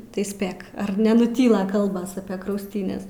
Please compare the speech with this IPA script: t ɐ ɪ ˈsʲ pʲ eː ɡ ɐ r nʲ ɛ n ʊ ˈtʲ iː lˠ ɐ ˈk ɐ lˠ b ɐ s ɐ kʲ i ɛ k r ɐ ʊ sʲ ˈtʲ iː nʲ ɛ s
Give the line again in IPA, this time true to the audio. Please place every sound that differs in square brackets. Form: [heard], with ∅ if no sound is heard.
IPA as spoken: t ɐ ɪ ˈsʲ pʲ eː [k] ɐ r nʲ ɛ n ʊ ˈtʲ iː lˠ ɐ ˈk ɐ lˠ b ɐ s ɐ [pʲ] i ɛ k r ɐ ʊ sʲ ˈtʲ iː nʲ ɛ s